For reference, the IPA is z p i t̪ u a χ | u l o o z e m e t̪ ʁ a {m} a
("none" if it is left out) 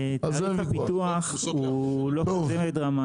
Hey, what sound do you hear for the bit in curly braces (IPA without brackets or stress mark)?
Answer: m